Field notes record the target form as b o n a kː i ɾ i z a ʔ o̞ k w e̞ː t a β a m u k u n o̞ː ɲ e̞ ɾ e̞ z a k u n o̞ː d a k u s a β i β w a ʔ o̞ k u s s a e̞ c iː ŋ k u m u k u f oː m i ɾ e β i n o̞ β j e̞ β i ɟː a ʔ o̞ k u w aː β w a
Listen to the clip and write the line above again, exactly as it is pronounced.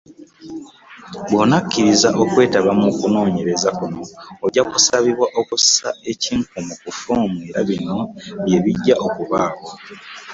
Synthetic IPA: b o n a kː i ɾ i z a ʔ o̞ k w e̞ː t a β a m u k u n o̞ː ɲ e̞ ɾ e̞ z a k u n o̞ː ɟ a k u s a β i β w a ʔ o̞ k u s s a e̞ c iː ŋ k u m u k u f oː m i ɾ a β i n o̞ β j e̞ β i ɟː a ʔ o̞ k u β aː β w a